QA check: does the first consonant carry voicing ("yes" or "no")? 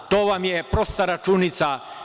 no